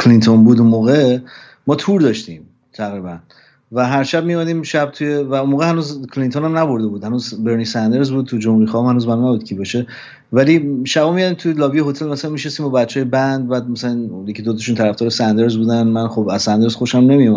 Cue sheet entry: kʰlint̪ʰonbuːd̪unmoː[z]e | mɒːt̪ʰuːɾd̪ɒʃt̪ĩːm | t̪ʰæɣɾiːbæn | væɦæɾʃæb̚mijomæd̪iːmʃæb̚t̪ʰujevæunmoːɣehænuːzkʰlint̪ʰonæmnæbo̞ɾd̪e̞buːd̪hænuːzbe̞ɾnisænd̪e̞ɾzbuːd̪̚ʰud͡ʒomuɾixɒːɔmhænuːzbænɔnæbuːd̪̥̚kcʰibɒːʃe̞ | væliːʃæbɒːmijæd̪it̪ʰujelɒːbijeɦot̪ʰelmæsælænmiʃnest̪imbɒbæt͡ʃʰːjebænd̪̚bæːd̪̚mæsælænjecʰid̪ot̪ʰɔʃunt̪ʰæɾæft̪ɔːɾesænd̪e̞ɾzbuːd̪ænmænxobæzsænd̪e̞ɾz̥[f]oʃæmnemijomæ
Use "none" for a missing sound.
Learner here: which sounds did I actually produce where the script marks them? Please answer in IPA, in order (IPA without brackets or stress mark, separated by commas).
ɣ, x